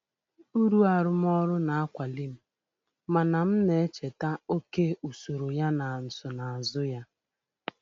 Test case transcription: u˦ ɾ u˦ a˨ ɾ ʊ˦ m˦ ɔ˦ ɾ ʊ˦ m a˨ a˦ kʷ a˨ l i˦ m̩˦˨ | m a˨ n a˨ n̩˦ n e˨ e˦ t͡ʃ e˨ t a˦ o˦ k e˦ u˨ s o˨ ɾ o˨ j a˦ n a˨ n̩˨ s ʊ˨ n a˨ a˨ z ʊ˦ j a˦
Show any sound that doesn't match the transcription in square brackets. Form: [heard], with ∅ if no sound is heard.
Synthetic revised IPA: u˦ ɾ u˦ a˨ ɾ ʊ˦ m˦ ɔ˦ ɾ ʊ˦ [n] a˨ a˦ kʷ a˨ l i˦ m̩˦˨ | m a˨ n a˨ [m̩˦] n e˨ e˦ t͡ʃ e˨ t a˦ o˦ k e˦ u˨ s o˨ ɾ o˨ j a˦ n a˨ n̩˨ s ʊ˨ n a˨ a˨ z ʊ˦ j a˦

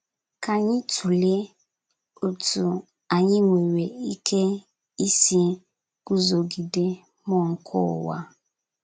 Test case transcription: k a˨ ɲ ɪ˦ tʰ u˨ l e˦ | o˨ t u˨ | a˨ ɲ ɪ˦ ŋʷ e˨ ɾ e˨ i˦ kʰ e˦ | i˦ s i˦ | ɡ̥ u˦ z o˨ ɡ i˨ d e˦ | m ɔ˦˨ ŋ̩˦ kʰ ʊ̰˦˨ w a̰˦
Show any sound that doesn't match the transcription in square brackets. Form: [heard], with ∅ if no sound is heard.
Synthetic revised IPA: k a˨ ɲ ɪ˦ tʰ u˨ l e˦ | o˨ t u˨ | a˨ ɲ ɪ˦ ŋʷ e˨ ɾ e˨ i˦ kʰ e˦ | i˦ s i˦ | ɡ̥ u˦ z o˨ ɡ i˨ d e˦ | m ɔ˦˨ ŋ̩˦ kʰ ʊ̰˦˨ w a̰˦

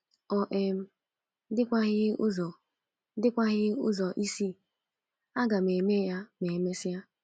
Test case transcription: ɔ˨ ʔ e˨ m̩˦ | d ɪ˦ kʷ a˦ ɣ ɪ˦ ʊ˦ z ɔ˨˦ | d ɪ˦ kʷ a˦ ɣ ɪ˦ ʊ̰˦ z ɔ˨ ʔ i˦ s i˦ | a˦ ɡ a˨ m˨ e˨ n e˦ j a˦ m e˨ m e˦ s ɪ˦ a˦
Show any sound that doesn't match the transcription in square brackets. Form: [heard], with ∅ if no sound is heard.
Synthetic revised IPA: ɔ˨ ʔ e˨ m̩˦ | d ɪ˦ kʷ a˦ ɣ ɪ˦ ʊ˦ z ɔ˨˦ | d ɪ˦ kʷ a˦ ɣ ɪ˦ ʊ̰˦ z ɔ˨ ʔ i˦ s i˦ | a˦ ɡ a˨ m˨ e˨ [m] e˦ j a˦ m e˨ m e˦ s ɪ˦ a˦

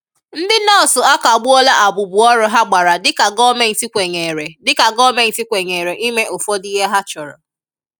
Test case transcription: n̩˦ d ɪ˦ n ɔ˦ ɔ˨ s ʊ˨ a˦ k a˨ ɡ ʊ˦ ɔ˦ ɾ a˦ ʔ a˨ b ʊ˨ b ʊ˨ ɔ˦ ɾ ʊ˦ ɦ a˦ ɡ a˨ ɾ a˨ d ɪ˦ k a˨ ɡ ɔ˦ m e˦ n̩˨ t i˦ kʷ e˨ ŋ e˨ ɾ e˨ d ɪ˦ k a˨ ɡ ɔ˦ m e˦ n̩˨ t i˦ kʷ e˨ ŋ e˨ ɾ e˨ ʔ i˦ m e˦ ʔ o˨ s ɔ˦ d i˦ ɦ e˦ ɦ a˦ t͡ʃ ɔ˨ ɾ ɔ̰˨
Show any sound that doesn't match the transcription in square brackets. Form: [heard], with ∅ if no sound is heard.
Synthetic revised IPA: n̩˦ d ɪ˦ n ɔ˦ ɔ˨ s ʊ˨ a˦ k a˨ [ɡ͡b] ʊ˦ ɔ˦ [l] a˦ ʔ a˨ b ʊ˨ b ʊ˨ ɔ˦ ɾ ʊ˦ ɦ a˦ [ɡ͡b] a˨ ɾ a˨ d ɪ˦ k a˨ ɡ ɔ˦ m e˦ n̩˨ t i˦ kʷ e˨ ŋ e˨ ɾ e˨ d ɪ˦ k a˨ ɡ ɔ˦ m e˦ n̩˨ t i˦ kʷ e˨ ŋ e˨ ɾ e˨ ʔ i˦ m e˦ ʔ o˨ [f] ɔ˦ d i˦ ɦ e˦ ɦ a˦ t͡ʃ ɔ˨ ɾ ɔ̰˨

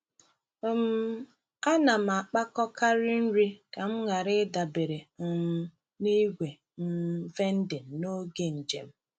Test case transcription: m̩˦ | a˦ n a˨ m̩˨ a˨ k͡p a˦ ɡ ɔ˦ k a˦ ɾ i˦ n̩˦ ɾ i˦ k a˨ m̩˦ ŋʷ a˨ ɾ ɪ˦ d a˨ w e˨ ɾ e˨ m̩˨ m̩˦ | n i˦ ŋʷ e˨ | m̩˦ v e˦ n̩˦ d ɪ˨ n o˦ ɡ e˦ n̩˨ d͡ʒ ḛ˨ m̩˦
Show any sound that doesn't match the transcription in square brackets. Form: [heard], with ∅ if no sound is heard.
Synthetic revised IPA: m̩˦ | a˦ n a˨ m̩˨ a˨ k͡p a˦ [k] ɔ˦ k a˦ ɾ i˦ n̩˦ ɾ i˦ k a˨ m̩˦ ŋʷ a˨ ɾ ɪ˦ d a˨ [b] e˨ ɾ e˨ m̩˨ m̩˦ | n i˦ [ɡʷ] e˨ | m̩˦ v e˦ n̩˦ d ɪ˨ n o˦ ɡ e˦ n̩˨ d͡ʒ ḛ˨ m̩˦

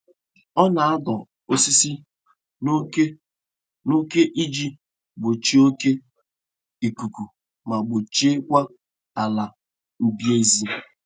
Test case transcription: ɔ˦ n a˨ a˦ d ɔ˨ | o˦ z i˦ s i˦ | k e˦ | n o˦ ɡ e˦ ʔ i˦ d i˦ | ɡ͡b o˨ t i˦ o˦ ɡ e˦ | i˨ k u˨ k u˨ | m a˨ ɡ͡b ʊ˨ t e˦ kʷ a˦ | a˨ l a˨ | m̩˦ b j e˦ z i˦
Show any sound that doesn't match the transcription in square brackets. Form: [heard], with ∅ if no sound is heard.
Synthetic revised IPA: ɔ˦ n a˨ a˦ d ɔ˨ | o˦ [s] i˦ s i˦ | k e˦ | n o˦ [k] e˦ ʔ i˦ [d͡ʒ] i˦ | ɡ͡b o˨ [t͡ʃ] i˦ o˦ [k] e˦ | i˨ k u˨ k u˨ | m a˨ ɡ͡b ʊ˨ [t͡ʃ] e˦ kʷ a˦ | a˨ l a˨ | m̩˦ b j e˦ z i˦

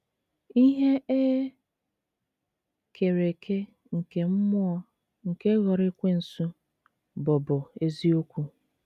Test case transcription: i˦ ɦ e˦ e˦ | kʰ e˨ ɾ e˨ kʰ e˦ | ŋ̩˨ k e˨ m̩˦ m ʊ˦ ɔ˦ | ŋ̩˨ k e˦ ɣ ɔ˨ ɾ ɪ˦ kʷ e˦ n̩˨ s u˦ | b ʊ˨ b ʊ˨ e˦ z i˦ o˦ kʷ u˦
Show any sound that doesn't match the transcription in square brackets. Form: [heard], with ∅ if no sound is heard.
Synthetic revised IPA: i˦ ɦ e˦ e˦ | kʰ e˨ ɾ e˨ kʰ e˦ | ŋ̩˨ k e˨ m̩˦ m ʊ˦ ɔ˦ | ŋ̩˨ k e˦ ɣ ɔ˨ ɾ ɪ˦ kʷ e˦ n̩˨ s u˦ | b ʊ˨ b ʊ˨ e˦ z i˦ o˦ kʷ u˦

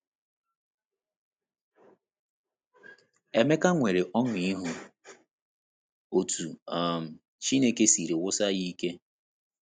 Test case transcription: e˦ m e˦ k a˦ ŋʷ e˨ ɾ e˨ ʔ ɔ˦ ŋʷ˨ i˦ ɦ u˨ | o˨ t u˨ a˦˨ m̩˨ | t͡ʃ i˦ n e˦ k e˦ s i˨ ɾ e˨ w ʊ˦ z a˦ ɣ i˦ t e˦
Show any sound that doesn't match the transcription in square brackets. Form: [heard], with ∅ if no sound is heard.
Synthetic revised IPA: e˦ m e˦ k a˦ ŋʷ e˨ ɾ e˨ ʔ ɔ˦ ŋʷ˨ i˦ ɦ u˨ | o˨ t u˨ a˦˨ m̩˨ | t͡ʃ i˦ n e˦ k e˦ s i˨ ɾ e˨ w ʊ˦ [s] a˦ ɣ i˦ [k] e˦

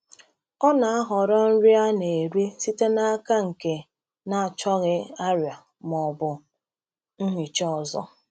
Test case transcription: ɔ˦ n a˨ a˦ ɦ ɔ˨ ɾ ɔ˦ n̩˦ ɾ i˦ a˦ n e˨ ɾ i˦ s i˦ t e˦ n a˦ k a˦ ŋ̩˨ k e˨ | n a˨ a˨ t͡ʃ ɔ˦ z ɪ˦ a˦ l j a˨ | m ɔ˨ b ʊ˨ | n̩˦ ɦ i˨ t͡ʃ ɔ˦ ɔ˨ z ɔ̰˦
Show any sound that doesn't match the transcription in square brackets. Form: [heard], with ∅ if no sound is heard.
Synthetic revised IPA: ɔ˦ n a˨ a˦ ɦ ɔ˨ ɾ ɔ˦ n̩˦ ɾ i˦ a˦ n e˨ ɾ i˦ s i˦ t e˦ n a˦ k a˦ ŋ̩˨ k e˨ | n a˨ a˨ t͡ʃ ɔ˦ [ɣ] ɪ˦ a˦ [ɾ] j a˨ | m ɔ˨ b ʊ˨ | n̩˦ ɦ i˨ t͡ʃ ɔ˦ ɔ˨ z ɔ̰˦

